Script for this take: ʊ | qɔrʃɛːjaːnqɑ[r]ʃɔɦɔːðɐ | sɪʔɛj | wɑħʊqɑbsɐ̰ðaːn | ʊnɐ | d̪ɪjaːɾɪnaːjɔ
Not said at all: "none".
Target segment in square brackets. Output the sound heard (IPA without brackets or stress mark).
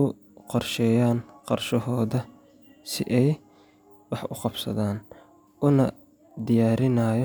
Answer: r